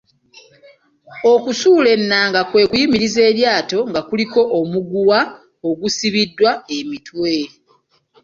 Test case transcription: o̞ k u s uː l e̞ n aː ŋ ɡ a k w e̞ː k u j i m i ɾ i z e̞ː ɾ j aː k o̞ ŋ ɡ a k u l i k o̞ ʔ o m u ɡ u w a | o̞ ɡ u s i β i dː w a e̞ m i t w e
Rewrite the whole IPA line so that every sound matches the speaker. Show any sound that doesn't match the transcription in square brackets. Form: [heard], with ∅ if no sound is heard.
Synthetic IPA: o̞ k u s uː l e̞ [nː] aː ŋ ɡ a k w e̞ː k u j i m i ɾ i z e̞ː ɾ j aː [t] o̞ ŋ ɡ a k u l i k o̞ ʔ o m u ɡ u w a | o̞ ɡ u s i β i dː w a e̞ m i t w e